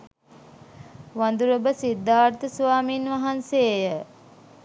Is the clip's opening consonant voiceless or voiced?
voiced